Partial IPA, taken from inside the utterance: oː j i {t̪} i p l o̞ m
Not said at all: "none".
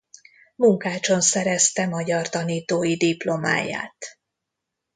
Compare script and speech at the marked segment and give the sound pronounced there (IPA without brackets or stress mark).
d̪